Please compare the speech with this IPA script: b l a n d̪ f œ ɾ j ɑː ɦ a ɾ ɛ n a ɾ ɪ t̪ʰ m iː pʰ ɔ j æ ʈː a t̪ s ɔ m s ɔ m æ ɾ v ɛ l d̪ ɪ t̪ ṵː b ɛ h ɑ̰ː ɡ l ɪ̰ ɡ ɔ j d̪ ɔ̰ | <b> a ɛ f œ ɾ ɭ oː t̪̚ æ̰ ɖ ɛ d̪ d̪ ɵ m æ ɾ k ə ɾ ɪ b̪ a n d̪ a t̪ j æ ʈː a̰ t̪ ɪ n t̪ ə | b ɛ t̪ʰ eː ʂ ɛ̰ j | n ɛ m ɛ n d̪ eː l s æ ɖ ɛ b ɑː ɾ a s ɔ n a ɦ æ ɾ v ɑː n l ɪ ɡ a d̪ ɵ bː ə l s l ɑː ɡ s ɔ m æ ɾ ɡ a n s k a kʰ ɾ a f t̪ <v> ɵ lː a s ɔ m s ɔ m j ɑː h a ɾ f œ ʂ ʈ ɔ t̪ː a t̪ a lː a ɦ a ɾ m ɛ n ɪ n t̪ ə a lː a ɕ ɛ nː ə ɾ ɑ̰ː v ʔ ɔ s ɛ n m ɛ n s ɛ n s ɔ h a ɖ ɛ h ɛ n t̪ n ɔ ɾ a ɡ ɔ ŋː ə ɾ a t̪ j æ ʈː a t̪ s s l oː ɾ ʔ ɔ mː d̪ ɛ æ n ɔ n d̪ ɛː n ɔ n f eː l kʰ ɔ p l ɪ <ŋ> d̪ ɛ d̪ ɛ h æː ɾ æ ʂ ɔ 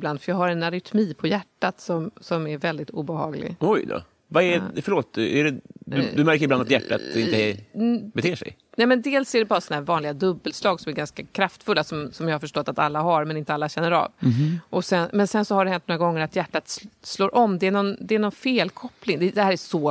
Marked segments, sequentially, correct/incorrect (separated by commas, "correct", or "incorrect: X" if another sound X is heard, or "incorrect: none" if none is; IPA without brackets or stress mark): incorrect: v, incorrect: f, correct